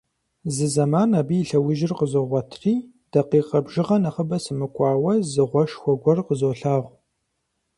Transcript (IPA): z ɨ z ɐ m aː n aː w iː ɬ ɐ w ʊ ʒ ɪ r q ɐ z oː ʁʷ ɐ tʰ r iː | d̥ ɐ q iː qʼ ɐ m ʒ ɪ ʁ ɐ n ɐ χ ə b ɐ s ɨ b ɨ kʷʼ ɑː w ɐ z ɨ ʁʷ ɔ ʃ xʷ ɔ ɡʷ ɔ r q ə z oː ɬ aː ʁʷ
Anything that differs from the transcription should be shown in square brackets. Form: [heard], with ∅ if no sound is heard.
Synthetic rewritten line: z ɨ z ɐ m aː n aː [b] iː ɬ ɐ w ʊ ʒ ɪ r q [ə] z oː ʁʷ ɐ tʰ r iː | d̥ ɐ q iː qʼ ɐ [b] ʒ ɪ ʁ ɐ n ɐ χ ə b ɐ s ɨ [m] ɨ kʷʼ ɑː w ɐ z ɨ ʁʷ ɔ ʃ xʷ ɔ ɡʷ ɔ r q ə z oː ɬ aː ʁʷ

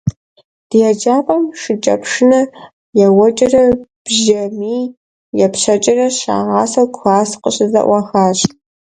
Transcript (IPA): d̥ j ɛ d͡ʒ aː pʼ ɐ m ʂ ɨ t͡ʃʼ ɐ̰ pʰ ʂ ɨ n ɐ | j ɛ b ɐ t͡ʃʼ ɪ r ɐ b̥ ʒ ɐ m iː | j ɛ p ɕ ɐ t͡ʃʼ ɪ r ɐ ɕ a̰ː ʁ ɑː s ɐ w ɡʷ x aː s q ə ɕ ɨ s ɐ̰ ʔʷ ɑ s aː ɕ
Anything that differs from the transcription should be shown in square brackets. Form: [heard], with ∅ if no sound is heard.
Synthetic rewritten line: d̥ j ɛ d͡ʒ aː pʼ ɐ m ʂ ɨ t͡ʃʼ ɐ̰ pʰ ʂ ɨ n ɐ | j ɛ [w] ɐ t͡ʃʼ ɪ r ɐ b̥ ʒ ɐ m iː | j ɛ p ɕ ɐ t͡ʃʼ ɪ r ɐ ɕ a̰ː ʁ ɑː s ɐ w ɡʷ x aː s q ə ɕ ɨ [z] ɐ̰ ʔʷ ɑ [x] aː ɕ

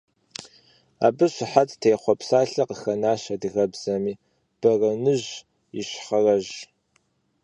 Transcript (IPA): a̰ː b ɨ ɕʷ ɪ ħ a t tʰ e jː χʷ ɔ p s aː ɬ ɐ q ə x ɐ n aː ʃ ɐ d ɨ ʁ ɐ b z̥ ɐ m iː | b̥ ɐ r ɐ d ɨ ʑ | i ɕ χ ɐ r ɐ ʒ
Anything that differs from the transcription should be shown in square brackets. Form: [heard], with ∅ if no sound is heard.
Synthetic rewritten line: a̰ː b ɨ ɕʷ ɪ ħ a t tʰ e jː χʷ ɔ p s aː ɬ ɐ q ə x ɐ n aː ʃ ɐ d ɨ [ɣ] ɐ b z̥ ɐ m iː | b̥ ɐ r ɐ [n] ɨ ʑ | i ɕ χ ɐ r ɐ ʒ

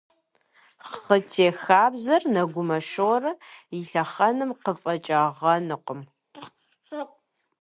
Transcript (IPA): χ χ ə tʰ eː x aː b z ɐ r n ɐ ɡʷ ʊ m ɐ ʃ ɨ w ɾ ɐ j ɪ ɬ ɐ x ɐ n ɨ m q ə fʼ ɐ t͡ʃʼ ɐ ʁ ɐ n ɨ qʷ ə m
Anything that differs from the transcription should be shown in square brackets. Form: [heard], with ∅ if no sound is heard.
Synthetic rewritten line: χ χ ə tʰ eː x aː b z ɐ r n ɐ ɡʷ ʊ m ɐ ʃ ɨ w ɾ ɐ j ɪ ɬ ɐ [χ] ɐ n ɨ m q ə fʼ ɐ t͡ʃʼ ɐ ʁ ɐ n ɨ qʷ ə m

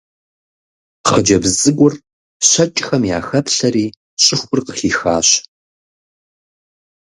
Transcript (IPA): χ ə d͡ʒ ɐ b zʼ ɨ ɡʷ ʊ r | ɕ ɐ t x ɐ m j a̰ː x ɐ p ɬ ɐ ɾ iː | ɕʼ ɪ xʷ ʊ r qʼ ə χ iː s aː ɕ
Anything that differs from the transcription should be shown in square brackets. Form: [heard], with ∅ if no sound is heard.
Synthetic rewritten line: χ ə d͡ʒ ɐ b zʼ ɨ ɡʷ ʊ r | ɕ ɐ [t͡ʃʼ] x ɐ m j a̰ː x ɐ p ɬ ɐ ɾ iː | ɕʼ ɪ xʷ ʊ r [q] ə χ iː [x] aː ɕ

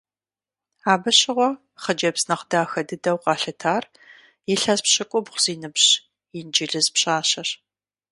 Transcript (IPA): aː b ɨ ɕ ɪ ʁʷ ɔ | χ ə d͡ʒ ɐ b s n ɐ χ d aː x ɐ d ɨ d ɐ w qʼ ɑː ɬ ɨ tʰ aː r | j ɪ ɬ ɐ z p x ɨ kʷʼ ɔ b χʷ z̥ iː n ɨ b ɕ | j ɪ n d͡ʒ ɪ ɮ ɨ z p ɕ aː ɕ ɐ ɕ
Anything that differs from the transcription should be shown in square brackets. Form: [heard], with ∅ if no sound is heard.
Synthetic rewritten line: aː b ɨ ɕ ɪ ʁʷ ɔ | χ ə d͡ʒ ɐ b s n ɐ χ d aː x ɐ d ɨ d ɐ w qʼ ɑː ɬ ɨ tʰ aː r | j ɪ ɬ ɐ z p [ɕ] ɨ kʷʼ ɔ b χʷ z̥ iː n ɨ b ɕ | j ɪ n d͡ʒ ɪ ɮ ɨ z p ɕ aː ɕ ɐ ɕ

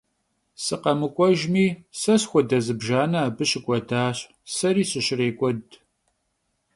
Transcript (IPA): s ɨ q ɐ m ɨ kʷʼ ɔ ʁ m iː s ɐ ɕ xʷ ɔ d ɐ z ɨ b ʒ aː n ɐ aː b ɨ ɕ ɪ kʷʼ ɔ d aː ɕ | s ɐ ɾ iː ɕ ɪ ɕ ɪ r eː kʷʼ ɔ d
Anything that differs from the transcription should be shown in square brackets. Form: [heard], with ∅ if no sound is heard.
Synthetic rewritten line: s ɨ q ɐ m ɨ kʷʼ ɔ [ʒ] m iː s ɐ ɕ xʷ ɔ d ɐ z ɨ b ʒ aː n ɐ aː b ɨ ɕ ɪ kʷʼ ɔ d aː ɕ | s ɐ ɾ iː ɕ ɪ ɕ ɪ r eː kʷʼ ɔ d

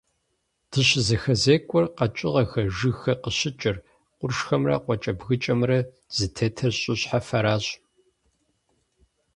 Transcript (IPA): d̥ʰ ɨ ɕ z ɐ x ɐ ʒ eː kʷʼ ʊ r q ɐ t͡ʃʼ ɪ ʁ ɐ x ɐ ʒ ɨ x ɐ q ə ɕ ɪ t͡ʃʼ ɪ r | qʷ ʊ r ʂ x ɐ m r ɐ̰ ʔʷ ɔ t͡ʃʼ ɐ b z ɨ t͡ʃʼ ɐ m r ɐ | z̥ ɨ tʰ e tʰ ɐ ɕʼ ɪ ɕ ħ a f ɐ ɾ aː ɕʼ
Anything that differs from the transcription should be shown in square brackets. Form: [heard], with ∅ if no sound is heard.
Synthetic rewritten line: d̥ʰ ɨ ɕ z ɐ x ɐ [z] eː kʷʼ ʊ r q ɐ t͡ʃʼ ɪ ʁ ɐ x ɐ ʒ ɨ x ɐ q ə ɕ ɪ t͡ʃʼ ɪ r | qʷ ʊ r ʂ x ɐ m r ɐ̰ [qʷ] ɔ t͡ʃʼ ɐ b [ɣ] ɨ t͡ʃʼ ɐ m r ɐ | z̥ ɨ tʰ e tʰ ɐ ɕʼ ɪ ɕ ħ a f ɐ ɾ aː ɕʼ

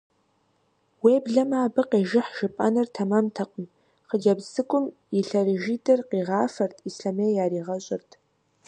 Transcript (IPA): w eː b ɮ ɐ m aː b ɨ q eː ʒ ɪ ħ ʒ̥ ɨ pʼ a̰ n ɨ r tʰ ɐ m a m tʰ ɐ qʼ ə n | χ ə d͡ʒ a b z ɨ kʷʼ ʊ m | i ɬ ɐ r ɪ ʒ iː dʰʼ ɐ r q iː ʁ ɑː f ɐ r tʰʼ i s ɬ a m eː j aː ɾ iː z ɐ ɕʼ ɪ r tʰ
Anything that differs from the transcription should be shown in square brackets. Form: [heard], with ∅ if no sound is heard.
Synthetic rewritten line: w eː b ɮ ɐ m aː b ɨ q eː ʒ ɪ ħ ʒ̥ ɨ pʼ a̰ n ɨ r tʰ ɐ m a m tʰ ɐ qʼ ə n | χ ə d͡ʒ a b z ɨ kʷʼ ʊ m | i ɬ ɐ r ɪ ʒ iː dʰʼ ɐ r q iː ʁ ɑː f ɐ r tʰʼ i s ɬ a m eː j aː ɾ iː [ʁ] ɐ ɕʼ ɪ r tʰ

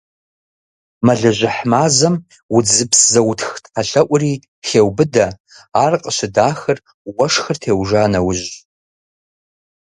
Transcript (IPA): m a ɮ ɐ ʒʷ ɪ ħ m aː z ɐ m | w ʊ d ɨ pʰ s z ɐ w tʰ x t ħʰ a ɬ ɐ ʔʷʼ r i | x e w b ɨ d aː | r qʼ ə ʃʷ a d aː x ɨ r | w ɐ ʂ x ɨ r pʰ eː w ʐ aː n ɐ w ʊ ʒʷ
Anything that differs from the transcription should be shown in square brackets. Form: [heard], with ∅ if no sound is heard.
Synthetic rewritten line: m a ɮ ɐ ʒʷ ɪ ħ m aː z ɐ m | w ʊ [d͡z] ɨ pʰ s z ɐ w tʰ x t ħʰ a ɬ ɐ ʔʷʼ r i | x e w b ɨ d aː | r qʼ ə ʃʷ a d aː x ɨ r | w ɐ ʂ x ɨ r [tʰ] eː w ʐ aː n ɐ w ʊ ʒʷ

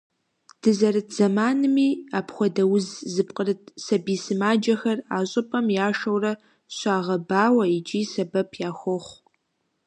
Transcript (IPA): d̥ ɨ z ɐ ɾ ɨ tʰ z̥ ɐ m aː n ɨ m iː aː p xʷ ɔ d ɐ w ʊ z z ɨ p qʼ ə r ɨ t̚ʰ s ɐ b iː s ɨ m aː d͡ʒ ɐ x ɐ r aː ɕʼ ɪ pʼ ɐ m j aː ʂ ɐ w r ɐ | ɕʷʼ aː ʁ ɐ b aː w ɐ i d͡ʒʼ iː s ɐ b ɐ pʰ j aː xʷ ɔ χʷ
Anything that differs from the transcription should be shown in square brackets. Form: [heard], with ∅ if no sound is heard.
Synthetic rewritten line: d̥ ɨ z ɐ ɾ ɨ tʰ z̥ ɐ m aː n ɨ m iː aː p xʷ ɔ d ɐ w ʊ z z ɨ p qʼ ə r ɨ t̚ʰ s ɐ b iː s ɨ m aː d͡ʒ ɐ x ɐ r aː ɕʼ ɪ pʼ ɐ m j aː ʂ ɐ w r ɐ | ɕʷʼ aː ʁ ɐ b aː w ɐ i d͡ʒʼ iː s ɐ b ɐ pʰ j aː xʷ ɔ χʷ

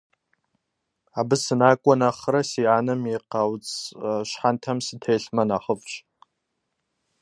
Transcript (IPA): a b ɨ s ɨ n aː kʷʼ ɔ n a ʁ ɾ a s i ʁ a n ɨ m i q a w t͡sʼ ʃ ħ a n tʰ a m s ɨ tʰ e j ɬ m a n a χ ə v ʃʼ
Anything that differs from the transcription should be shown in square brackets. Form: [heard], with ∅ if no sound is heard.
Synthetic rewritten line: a b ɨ s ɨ n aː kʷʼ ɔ n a [χ] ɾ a s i [ʕ] a n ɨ m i q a w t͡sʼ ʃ ħ a n tʰ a m s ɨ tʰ e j ɬ m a n a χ ə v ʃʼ

